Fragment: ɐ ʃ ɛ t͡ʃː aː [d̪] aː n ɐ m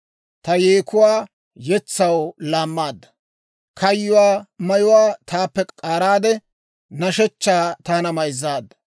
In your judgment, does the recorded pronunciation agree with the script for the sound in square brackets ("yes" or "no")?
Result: no